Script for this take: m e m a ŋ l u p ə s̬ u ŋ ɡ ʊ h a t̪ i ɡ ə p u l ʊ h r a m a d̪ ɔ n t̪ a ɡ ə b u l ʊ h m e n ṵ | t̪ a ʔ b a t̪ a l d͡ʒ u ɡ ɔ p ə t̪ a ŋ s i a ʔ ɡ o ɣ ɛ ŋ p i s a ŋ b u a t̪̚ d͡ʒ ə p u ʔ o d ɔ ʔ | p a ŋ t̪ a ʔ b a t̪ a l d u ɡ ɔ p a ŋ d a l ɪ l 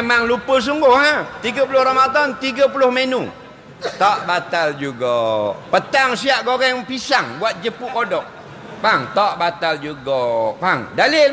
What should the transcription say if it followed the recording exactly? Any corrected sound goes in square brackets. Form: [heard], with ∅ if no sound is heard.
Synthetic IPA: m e m a ŋ l u p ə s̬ u ŋ ɡ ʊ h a t̪ i ɡ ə p u l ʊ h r a m a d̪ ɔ n t̪ [i] ɡ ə [p] u l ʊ h m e n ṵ | t̪ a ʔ b a t̪ a l d͡ʒ u ɡ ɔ p ə t̪ a ŋ s i a ʔ ɡ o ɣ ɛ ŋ p i s a ŋ b u a t̪̚ d͡ʒ ə p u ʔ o d ɔ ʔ | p a ŋ t̪ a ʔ b a t̪ a l [d͡ʒ] u ɡ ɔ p a ŋ d a l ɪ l

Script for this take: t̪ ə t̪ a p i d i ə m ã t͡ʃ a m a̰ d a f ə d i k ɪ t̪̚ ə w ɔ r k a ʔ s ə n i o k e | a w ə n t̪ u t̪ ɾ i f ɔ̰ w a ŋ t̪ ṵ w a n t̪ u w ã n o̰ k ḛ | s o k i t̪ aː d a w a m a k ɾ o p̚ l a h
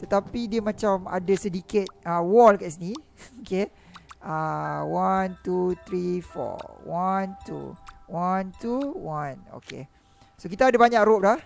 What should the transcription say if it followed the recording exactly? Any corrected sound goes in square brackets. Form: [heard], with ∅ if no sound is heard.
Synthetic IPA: t̪ ə t̪ a p i d i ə m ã t͡ʃ a m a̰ d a [s] ə d i k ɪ t̪̚ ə w ɔ [l] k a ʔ s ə n i o k e | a w [a] n t̪ u t̪ ɾ i f ɔ̰ w a [n] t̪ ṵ w a n t̪ u w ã n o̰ k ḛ | s o k i t̪ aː d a [b] a [ɲ] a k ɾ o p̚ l a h

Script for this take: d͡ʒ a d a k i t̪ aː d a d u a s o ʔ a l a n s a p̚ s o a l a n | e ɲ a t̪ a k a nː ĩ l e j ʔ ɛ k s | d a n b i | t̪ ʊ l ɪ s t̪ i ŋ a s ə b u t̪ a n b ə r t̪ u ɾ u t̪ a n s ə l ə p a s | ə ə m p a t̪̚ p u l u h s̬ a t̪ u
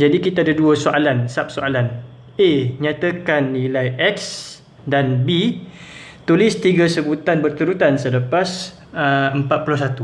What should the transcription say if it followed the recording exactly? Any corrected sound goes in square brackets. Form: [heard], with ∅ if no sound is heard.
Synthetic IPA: d͡ʒ a d [i] k i t̪ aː d a d u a s o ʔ a l a n s a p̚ s o a l a n | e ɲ a t̪ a k a nː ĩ l [a] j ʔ ɛ k s | d a n b i | t̪ [u] l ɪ s t̪ i [ɡ] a s ə b u t̪ a n b ə r t̪ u ɾ u t̪ a n s ə l ə p a s | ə ə m p a t̪̚ p u l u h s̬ a t̪ u

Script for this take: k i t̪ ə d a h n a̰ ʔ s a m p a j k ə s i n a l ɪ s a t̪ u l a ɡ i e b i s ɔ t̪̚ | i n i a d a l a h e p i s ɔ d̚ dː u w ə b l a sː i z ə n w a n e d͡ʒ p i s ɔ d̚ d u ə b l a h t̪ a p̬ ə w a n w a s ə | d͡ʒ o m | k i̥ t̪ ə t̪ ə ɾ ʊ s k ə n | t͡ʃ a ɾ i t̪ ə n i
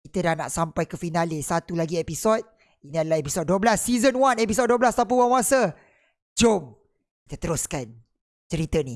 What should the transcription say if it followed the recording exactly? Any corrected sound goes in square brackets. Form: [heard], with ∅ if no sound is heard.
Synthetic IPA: k i t̪ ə d a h n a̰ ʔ s a m p a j k ə [f] i n a l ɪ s a t̪ u l a ɡ i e [p] i s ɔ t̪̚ | i n i a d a l a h e p i s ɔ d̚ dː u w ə b l a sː i z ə n w a n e [∅] p i s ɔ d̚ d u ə b l a [s] t̪ a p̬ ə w a n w a s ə | d͡ʒ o m | k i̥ t̪ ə t̪ ə ɾ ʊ s k [a] n | t͡ʃ [ə] ɾ i t̪ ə n i

